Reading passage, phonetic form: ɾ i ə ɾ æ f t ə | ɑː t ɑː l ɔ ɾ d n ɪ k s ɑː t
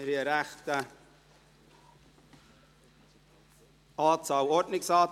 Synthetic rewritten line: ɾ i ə ɾ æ χ t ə | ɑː t͡s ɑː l ɔ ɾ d n ɪ k s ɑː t